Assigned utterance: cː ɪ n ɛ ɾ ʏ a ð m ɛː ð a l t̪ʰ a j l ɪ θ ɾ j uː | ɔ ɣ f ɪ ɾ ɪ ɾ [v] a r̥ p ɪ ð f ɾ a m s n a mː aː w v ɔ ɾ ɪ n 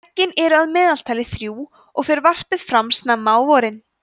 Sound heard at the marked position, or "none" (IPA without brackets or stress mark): v